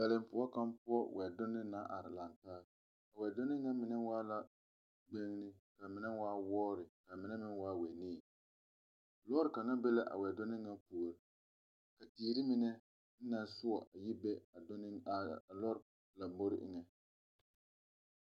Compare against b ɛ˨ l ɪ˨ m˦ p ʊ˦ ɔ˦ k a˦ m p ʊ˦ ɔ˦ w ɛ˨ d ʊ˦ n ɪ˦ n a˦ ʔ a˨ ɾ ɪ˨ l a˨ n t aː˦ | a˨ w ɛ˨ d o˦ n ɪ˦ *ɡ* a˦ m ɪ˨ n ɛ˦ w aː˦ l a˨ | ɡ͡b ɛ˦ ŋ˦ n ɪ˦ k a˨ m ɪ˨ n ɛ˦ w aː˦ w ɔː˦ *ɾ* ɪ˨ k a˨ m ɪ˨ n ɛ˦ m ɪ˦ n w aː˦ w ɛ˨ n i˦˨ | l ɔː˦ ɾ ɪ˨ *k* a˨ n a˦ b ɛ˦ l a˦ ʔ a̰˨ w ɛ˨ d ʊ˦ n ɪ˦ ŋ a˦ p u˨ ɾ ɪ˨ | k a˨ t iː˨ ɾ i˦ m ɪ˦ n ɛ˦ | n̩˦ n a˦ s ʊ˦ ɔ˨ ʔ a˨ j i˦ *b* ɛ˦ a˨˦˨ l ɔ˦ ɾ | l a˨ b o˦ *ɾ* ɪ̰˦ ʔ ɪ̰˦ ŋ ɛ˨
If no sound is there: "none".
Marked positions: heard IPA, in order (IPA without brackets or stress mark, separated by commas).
ŋ, ɾ, k, b, ɾ